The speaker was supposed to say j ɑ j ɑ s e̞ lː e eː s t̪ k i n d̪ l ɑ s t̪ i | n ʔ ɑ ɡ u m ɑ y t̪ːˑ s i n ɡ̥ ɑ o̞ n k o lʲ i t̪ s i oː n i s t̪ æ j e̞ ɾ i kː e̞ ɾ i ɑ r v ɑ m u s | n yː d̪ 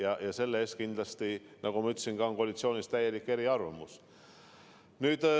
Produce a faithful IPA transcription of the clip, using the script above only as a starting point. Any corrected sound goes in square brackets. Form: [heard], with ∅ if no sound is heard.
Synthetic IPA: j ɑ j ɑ s e̞ lː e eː s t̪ k i n d̪ l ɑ s t̪ i | n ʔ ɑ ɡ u m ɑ y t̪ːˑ s i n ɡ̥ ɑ o̞ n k o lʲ i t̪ s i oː n i s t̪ æ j e̞ [l] i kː e̞ ɾ i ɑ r v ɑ m u s | n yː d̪